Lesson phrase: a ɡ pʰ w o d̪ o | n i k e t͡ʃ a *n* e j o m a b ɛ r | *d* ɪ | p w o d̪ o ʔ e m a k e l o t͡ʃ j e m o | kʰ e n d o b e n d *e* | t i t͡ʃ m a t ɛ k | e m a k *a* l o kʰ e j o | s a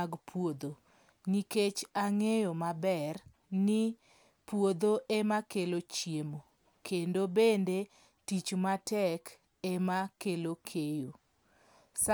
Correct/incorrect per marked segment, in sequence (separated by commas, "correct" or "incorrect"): incorrect, incorrect, correct, incorrect